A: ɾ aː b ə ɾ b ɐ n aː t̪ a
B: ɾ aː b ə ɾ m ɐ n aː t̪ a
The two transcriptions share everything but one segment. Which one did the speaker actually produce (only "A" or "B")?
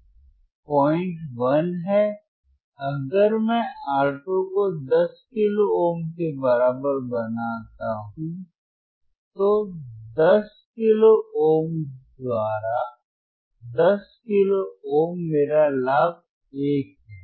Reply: A